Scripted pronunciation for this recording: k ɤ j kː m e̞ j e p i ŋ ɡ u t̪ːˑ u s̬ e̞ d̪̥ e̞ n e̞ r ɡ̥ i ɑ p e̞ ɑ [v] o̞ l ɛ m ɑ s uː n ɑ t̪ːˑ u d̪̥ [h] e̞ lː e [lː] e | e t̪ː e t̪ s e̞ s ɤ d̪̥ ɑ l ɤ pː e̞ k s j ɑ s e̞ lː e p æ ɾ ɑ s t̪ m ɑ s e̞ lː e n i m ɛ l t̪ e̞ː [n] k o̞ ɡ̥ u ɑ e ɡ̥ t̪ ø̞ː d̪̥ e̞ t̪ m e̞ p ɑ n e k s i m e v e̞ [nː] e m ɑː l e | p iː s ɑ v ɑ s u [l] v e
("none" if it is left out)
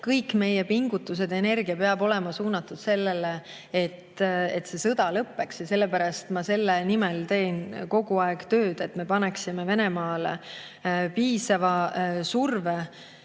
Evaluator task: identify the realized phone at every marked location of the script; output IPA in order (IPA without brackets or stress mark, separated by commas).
b, s, l, n, n, r